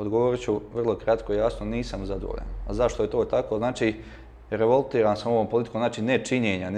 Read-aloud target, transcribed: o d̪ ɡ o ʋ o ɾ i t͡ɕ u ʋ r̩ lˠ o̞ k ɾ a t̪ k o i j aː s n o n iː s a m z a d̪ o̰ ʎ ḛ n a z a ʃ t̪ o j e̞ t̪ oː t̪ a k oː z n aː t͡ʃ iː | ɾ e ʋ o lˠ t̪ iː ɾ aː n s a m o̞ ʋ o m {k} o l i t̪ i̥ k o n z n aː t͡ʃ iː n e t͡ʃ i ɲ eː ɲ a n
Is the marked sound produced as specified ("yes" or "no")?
no